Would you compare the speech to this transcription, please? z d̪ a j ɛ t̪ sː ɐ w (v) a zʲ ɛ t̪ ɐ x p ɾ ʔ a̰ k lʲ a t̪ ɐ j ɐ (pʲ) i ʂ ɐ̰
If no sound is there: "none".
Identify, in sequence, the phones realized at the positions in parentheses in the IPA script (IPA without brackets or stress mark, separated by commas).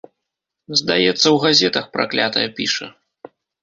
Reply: ɣ, pʲ